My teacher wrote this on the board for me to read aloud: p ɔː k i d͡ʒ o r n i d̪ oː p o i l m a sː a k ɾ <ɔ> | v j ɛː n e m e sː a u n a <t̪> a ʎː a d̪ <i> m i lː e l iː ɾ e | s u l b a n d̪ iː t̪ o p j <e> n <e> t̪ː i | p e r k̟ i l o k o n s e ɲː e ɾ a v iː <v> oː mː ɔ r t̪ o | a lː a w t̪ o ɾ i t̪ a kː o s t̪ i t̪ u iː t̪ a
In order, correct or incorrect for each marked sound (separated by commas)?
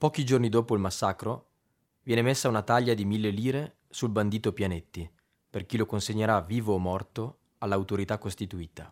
incorrect, correct, correct, incorrect, correct, correct